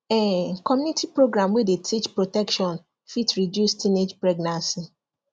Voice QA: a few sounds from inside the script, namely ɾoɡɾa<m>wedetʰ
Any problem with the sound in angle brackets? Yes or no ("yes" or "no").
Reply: no